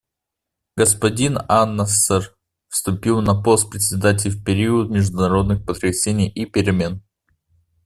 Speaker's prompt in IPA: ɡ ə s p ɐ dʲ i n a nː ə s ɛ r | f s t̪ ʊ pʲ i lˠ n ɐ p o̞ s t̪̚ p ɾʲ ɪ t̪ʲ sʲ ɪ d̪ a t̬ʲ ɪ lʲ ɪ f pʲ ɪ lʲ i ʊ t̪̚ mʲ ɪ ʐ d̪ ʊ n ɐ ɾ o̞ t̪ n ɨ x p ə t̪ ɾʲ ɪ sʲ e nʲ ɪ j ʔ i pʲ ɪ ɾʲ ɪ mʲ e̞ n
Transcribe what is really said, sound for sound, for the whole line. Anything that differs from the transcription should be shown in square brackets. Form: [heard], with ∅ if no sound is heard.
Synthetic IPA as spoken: ɡ ə s p ɐ dʲ i n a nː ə s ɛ r | f s t̪ ʊ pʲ i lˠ n ɐ p o̞ s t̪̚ p ɾʲ ɪ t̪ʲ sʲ ɪ d̪ a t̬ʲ ɪ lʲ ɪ f pʲ ɪ [ɾʲ] i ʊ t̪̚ mʲ ɪ ʐ d̪ ʊ n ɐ ɾ o̞ [d̪] n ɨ x p ə t̪ ɾʲ ɪ sʲ e nʲ ɪ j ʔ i pʲ ɪ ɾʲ ɪ mʲ e̞ n